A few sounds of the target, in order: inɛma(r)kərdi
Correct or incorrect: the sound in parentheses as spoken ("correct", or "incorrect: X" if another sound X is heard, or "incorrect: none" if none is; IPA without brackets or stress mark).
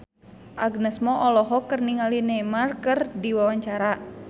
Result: correct